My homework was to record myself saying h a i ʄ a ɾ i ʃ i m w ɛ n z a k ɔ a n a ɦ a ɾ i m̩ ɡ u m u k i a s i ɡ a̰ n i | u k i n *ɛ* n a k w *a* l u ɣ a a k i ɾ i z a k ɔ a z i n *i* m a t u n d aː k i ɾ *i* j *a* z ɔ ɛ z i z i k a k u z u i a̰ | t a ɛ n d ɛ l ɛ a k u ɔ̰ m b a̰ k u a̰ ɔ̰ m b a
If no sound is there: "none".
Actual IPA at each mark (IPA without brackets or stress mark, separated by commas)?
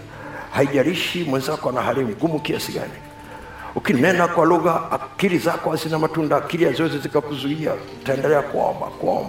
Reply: ɛ, a, a, i, a